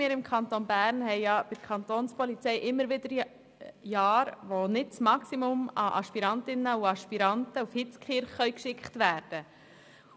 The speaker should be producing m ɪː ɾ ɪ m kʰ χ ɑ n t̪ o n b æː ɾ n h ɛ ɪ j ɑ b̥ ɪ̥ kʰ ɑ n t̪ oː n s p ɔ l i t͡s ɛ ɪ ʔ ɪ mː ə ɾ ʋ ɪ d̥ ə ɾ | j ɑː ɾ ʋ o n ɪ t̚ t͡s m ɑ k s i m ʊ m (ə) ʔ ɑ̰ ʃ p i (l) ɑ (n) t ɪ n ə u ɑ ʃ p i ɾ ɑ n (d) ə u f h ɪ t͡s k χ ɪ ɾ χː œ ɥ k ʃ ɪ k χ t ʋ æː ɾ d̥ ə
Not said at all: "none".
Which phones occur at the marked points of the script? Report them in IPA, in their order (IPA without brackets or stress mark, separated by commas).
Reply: ɑ, ɾ, n, t